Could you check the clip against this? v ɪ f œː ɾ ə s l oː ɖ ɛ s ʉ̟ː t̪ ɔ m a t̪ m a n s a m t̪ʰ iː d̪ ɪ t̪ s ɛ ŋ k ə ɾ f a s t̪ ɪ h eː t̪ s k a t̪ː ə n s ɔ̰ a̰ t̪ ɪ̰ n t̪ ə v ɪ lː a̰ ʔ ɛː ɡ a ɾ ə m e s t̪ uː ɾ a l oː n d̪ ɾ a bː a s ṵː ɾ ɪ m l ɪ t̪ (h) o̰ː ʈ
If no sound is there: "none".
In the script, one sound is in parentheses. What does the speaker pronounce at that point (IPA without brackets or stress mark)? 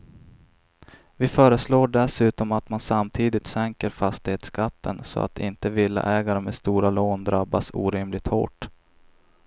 h